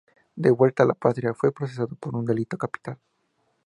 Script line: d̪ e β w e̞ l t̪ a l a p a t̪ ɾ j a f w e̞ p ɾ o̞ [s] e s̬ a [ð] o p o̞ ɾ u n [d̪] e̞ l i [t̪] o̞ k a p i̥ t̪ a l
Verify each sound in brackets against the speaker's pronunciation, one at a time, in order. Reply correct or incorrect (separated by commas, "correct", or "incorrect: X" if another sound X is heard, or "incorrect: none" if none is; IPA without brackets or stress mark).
correct, correct, correct, correct